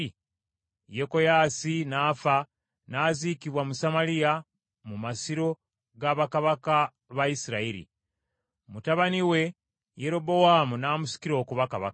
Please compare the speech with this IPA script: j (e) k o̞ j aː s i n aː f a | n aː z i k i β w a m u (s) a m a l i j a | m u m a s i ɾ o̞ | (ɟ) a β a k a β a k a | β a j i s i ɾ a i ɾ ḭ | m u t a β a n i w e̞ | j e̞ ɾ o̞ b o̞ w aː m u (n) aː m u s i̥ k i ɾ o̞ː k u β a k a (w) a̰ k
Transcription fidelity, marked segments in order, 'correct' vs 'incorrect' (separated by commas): correct, correct, incorrect, correct, incorrect